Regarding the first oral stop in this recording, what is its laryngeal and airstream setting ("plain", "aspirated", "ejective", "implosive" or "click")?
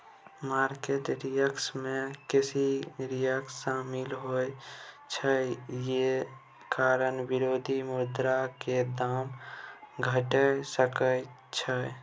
plain